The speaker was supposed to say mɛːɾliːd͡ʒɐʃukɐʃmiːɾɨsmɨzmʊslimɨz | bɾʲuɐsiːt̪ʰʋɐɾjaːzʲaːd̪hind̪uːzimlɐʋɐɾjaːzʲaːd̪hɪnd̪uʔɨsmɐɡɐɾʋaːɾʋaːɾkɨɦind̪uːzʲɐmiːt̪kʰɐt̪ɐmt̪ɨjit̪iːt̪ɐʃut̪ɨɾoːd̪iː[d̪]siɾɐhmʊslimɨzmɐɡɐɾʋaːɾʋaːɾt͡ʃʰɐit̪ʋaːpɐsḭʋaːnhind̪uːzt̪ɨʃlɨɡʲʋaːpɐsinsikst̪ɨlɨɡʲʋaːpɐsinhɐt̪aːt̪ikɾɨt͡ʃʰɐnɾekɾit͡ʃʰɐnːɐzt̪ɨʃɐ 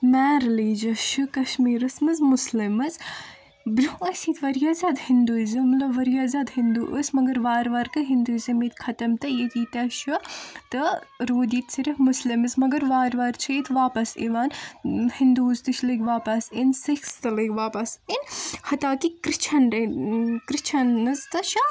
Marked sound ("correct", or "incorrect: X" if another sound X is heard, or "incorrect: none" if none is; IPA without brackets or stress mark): incorrect: t̪